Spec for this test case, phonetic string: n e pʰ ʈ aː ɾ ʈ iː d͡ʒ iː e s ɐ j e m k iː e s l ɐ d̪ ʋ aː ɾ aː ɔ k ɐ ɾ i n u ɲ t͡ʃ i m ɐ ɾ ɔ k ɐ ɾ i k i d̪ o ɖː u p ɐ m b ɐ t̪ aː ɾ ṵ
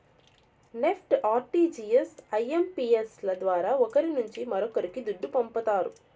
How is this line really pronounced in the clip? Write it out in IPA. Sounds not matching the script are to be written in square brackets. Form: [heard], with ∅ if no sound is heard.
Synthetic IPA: n e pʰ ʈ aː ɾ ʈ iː d͡ʒ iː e s ɐ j e m [p] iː e s l ɐ d̪ ʋ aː ɾ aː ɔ k ɐ ɾ i n u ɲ t͡ʃ i m ɐ ɾ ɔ k ɐ ɾ i k i d̪ [u] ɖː u p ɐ m [p] ɐ t̪ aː ɾ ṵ